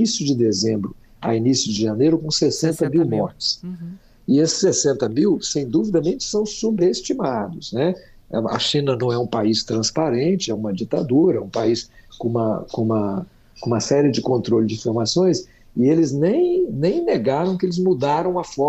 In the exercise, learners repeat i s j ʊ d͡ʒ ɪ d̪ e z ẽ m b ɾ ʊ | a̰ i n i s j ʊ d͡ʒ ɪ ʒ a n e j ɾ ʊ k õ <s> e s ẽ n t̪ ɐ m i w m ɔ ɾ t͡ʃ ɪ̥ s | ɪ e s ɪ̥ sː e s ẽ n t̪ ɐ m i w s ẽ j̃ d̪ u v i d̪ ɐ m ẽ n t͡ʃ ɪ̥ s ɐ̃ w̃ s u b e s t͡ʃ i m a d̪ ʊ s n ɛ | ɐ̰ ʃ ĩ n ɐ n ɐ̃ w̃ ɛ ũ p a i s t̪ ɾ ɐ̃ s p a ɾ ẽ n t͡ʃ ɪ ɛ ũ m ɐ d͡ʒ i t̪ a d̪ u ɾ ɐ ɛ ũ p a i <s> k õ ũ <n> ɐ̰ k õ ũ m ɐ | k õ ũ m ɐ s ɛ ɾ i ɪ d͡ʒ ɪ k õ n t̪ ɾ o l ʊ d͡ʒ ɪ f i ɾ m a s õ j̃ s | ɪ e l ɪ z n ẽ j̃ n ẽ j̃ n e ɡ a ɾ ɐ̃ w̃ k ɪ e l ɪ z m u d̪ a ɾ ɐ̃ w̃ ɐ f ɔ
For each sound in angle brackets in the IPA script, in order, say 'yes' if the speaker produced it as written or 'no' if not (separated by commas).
yes, yes, no